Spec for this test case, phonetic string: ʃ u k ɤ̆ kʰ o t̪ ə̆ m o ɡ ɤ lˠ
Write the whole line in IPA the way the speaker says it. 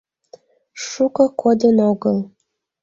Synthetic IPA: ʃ u k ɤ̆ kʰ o d̪ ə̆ n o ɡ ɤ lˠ